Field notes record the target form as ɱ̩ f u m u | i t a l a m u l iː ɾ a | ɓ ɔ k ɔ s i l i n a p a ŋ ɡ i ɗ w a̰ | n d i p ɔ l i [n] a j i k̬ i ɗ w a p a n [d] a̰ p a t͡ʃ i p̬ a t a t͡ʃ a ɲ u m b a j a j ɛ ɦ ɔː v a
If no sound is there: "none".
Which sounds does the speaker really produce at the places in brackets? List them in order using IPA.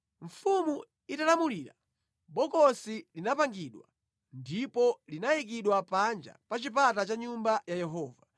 n, d͡ʒ

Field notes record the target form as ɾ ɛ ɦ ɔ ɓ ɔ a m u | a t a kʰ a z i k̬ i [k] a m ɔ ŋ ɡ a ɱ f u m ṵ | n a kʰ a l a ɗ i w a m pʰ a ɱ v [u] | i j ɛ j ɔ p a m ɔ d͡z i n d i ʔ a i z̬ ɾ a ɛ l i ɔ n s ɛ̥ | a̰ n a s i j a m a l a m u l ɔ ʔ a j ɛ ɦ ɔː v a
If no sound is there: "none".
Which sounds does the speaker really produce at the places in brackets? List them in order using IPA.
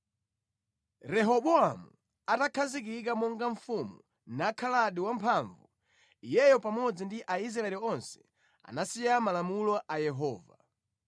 k, u

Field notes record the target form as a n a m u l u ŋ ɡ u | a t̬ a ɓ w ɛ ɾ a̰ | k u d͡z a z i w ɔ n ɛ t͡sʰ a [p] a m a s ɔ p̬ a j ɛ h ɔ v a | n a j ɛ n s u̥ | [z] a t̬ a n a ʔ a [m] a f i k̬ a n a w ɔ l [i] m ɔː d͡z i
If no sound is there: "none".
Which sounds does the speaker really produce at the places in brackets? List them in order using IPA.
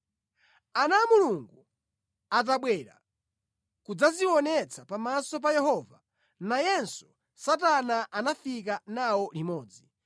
p, s, n, i

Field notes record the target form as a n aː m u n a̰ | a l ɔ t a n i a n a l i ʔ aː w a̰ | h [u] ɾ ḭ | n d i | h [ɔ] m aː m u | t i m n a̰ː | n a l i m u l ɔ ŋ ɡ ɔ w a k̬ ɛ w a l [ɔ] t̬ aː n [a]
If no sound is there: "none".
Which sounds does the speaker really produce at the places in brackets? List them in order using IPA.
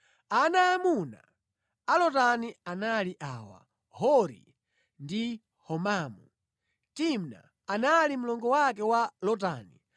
ɔ, ɔ, ɔ, i

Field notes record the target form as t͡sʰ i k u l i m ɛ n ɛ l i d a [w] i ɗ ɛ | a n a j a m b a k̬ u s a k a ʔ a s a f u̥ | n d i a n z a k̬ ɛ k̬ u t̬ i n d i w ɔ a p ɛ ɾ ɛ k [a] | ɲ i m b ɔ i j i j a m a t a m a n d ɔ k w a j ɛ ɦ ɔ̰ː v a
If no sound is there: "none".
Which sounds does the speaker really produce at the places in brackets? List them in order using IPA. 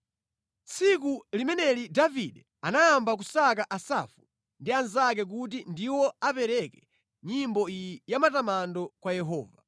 v, ɛ

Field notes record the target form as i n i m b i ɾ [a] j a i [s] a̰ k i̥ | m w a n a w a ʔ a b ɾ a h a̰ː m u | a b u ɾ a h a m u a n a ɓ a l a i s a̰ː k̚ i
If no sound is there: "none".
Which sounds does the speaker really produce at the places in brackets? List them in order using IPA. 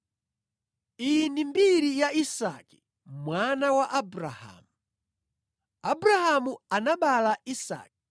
i, s

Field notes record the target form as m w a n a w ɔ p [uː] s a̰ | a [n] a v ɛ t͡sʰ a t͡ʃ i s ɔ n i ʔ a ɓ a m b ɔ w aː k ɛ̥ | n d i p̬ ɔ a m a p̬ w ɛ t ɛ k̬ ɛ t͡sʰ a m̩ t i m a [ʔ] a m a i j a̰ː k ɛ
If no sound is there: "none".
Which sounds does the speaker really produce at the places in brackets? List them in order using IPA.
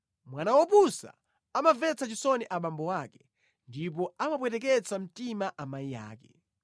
u, m, ʔ

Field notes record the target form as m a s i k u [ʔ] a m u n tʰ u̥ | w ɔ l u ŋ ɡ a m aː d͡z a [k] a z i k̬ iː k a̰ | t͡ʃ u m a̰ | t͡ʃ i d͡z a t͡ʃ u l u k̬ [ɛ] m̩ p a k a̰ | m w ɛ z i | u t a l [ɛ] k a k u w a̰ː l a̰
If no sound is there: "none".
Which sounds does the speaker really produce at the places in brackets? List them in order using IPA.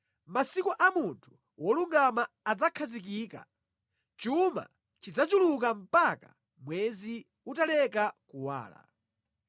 ʔ, kʰ, a, ɛ

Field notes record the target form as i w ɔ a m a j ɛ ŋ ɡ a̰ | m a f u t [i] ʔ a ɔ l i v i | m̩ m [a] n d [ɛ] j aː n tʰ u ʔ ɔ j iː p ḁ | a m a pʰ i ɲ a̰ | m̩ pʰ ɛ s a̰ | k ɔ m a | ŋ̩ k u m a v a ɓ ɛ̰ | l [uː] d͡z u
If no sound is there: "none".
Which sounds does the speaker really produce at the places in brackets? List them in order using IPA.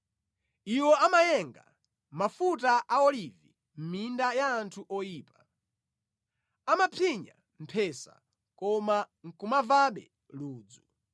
a, i, a, uː

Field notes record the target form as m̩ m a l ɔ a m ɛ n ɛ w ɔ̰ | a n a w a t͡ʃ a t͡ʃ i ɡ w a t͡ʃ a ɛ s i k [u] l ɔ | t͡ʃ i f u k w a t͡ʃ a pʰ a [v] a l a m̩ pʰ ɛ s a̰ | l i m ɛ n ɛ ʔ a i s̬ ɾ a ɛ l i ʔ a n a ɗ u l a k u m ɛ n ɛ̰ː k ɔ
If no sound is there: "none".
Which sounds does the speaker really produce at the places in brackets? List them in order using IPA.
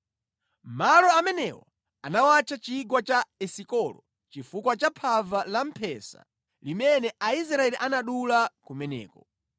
ɔ, v

